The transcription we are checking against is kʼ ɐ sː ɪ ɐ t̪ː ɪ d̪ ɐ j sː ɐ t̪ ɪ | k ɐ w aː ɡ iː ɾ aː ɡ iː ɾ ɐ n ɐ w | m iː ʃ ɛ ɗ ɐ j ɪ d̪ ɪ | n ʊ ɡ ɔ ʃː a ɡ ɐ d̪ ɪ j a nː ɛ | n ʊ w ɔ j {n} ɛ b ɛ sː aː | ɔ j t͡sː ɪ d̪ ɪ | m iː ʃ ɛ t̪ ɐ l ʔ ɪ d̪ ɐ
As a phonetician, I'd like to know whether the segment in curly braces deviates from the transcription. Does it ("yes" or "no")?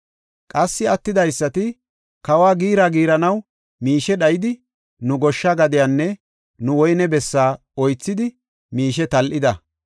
no